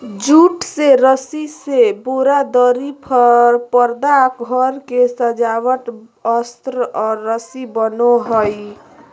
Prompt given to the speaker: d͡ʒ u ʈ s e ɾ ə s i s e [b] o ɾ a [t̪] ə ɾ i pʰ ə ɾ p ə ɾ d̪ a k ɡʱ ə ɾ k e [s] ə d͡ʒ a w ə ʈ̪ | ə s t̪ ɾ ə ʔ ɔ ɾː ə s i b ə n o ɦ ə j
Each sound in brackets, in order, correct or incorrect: correct, incorrect: d̪, correct

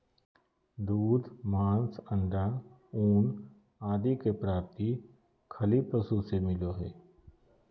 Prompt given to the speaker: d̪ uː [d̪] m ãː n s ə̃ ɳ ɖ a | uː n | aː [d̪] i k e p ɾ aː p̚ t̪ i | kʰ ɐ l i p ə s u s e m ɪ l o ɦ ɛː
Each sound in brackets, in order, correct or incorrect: correct, correct

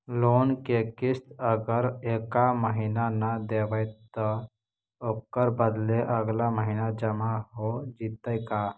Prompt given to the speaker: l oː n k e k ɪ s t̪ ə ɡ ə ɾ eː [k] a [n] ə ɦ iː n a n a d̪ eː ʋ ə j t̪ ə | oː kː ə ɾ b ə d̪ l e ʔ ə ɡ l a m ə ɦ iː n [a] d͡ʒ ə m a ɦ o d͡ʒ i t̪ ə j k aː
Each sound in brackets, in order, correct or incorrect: correct, incorrect: m, correct

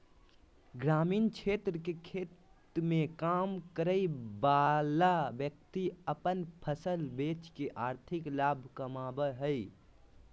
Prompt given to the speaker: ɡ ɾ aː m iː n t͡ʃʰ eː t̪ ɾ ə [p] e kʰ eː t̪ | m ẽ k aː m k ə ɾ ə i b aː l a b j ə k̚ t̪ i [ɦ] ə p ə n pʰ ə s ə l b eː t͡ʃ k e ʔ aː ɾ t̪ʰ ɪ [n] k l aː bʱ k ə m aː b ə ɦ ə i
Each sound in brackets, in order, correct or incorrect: incorrect: k, incorrect: none, incorrect: none

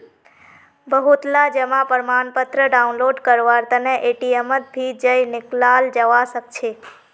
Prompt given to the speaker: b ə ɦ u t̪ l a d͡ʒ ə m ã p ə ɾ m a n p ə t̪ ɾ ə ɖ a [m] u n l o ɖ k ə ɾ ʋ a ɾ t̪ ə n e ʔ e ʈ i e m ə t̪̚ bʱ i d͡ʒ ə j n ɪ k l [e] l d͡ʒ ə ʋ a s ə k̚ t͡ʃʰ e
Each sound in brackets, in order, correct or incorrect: incorrect: none, incorrect: a

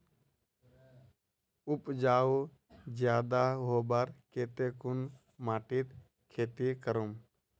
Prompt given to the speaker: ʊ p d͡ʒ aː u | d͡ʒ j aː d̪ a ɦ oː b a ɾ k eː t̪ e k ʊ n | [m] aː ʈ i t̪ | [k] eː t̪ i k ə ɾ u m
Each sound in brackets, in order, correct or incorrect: correct, incorrect: kʰ

